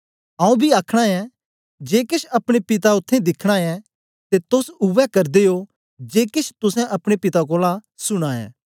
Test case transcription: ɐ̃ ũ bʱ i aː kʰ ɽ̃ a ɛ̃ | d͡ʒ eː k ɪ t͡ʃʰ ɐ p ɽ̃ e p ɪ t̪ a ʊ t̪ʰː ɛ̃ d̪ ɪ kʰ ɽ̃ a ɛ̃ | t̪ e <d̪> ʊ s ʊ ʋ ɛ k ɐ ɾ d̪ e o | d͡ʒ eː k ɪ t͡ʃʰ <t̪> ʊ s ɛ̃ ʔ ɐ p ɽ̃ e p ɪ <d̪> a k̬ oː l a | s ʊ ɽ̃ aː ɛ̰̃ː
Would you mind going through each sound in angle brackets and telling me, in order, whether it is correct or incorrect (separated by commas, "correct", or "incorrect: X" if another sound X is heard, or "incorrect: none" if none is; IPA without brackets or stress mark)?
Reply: incorrect: t̪, correct, incorrect: t̪